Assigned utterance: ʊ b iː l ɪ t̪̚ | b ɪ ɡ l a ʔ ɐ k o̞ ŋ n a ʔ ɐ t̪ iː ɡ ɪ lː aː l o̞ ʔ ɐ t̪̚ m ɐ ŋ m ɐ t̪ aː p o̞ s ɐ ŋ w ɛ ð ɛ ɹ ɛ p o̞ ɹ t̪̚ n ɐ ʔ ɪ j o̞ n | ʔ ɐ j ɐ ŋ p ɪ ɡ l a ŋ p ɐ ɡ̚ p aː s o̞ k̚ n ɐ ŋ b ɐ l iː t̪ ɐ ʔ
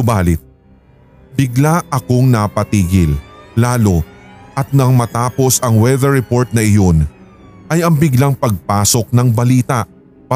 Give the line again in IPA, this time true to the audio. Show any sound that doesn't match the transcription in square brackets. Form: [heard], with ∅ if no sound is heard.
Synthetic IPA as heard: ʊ b [aː] l ɪ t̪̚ | b ɪ ɡ l a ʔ ɐ k o̞ ŋ n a [p] ɐ t̪ iː ɡ ɪ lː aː l o̞ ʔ ɐ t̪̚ [n] ɐ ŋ m ɐ t̪ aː p o̞ s ɐ ŋ w ɛ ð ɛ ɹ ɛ p o̞ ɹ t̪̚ n ɐ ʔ ɪ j o̞ n | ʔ ɐ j ɐ ŋ [b] ɪ ɡ l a ŋ p ɐ ɡ̚ p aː s o̞ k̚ n ɐ ŋ b ɐ l iː t̪ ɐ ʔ